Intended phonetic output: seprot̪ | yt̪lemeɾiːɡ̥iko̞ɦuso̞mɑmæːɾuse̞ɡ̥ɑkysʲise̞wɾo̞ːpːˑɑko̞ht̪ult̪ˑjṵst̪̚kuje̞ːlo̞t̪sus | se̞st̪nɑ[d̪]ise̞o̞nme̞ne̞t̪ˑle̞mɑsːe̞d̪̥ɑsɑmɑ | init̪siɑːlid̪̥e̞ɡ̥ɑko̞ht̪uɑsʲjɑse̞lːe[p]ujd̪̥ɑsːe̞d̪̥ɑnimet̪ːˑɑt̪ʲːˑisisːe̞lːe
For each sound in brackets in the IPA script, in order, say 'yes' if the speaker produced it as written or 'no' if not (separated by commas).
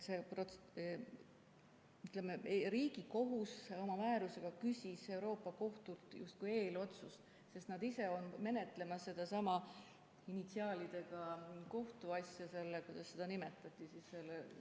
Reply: yes, no